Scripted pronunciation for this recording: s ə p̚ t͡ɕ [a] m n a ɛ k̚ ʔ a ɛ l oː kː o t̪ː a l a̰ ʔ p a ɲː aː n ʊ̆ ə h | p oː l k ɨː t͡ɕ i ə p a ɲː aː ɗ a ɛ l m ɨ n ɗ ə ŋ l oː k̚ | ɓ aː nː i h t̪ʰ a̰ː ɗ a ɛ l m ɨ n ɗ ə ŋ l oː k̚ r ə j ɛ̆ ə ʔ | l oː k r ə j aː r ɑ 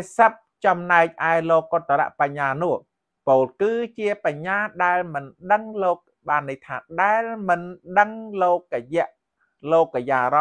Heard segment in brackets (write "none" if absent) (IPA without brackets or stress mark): ɑ